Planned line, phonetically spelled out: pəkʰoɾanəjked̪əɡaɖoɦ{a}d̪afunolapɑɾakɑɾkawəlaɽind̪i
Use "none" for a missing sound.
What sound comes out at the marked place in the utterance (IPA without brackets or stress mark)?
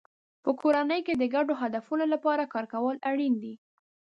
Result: a